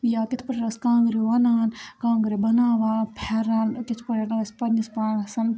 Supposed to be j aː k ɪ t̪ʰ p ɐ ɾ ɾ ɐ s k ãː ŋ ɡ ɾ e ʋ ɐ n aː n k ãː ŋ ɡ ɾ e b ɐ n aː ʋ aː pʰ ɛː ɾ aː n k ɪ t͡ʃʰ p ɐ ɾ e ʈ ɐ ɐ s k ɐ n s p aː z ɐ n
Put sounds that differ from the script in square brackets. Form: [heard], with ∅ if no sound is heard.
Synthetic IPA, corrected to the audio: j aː k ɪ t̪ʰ p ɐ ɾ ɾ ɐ s k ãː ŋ ɡ ɾ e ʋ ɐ n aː n k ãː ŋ ɡ ɾ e b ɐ n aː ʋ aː pʰ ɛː ɾ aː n k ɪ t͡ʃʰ p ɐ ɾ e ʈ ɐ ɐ s [p] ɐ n s p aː [s] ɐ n